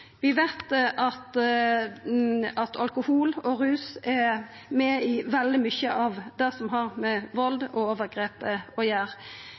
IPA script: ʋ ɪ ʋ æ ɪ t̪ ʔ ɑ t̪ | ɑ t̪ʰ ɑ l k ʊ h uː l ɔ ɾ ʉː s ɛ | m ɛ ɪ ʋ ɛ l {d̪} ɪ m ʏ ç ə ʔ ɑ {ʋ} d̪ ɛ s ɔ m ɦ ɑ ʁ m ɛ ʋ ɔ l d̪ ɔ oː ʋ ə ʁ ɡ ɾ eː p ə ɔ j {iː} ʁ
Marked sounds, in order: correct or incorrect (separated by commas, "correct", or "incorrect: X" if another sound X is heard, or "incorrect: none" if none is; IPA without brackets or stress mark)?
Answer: correct, correct, incorrect: æː